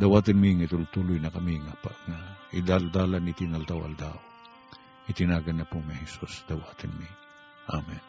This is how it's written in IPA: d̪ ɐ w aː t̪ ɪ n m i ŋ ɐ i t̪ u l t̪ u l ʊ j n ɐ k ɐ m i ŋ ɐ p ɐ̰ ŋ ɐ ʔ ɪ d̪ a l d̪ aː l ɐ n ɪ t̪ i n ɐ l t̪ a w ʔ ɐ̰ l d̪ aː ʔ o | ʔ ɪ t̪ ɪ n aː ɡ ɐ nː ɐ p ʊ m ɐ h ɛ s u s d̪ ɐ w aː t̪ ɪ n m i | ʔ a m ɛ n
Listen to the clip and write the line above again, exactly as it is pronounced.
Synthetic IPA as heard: d̪ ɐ w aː t̪ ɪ n m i ŋ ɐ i t̪ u l t̪ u l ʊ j n ɐ k ɐ m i ŋ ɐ p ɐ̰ ŋ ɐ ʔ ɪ d̪ a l d̪ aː l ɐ n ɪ t̪ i n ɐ l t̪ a w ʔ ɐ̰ l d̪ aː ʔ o | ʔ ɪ t̪ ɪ n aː ɡ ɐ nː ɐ p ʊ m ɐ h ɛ s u s d̪ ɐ w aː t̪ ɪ n m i | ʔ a m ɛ n